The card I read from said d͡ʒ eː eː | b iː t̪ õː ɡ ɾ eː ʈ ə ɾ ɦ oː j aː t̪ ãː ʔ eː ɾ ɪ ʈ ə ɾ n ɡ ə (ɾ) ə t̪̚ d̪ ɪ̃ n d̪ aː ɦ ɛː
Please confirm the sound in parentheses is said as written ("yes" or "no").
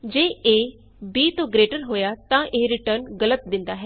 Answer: no